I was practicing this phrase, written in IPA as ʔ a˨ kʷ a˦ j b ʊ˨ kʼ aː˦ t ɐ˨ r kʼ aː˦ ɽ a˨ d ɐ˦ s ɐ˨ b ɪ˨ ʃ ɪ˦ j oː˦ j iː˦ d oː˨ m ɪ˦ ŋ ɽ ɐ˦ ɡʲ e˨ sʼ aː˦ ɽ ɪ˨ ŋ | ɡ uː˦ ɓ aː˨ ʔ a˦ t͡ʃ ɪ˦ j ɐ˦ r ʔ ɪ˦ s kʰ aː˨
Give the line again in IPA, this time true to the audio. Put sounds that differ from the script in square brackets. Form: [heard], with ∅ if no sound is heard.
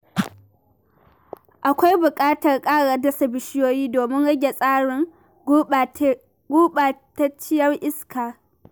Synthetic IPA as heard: ʔ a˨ kʷ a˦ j b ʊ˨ kʼ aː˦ t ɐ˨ r kʼ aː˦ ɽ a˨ d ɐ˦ s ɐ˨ b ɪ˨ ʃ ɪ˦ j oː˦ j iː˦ d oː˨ m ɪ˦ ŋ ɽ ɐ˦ ɡʲ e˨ sʼ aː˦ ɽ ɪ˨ ŋ | ɡ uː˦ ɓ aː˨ [t] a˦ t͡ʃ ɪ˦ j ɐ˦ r ʔ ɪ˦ s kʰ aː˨